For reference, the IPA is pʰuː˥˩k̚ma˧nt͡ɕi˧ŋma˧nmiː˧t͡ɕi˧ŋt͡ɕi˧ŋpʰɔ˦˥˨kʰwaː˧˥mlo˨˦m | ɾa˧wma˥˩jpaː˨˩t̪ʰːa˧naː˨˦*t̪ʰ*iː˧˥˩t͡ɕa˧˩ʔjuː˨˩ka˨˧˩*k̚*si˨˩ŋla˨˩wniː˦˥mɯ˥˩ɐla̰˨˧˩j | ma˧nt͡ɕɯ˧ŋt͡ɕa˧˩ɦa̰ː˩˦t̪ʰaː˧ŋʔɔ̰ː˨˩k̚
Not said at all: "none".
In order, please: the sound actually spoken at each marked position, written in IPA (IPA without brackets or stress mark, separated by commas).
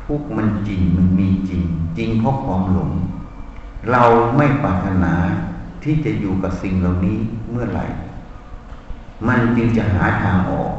t̪ʰ, p̚